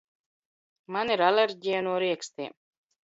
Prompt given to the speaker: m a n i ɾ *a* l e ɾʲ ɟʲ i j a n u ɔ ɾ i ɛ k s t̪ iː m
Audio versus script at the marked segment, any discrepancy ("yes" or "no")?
no